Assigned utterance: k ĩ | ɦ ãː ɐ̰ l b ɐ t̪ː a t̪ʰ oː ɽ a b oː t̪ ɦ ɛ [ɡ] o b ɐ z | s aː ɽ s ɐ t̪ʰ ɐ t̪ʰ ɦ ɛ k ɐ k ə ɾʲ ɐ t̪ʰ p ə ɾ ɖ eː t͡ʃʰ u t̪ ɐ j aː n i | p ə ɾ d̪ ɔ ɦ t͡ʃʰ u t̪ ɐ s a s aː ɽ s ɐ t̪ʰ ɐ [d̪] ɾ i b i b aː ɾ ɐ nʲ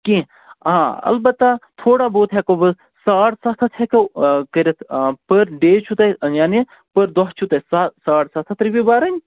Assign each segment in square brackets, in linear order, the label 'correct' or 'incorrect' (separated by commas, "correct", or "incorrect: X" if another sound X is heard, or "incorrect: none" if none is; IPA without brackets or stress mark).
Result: incorrect: k, incorrect: t̪